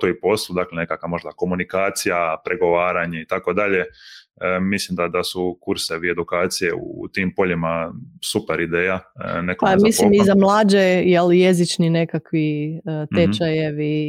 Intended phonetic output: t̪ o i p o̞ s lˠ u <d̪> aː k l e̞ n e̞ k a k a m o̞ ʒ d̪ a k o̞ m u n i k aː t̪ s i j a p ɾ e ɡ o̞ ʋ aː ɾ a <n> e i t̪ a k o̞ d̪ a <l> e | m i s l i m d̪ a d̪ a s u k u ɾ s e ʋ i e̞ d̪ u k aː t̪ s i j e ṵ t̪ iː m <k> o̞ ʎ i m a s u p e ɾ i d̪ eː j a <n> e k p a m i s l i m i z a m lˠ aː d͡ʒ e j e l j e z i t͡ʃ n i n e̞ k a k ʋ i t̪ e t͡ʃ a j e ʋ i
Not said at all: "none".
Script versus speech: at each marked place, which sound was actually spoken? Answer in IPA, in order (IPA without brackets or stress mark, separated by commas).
d̪, ɲ, ʎ, p, n